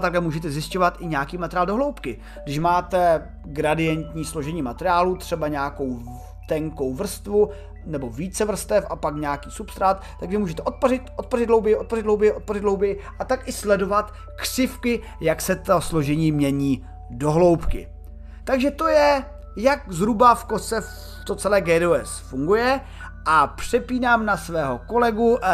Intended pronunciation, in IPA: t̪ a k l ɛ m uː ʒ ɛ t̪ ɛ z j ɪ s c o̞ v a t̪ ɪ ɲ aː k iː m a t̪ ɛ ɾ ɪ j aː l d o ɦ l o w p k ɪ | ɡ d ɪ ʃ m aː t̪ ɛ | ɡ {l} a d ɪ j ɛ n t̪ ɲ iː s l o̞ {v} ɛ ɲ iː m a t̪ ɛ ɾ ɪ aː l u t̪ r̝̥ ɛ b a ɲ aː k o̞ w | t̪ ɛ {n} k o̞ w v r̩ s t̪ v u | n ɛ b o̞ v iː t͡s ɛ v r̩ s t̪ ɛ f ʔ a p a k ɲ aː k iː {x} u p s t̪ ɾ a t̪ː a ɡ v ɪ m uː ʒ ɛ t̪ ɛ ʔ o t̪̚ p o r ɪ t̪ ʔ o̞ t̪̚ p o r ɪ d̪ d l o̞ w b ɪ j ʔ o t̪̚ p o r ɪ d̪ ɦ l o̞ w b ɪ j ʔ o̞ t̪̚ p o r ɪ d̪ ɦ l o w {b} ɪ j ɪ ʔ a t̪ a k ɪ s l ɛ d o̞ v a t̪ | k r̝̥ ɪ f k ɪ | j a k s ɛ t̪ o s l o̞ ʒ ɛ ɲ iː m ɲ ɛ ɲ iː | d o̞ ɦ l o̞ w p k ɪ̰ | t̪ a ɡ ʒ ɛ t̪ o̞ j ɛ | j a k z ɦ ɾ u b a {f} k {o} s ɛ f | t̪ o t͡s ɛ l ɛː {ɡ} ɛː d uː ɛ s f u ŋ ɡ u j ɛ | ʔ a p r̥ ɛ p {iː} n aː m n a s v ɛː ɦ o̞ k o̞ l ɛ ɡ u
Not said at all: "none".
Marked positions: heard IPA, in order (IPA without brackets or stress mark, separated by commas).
ɾ, ʒ, ŋ, s, b, f, o, ɡ, iː